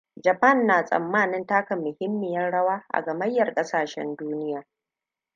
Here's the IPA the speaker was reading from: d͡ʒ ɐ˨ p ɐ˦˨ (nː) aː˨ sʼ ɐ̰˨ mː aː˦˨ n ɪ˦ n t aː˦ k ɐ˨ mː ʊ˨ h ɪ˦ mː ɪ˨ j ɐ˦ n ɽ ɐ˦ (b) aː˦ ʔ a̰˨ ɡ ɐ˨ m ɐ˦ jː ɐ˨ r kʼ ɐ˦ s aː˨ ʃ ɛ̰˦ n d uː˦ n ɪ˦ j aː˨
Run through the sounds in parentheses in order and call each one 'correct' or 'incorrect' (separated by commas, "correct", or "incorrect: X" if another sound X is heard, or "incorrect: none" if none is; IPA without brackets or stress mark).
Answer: correct, incorrect: w